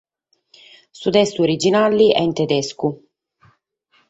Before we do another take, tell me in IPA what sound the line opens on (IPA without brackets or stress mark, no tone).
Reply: s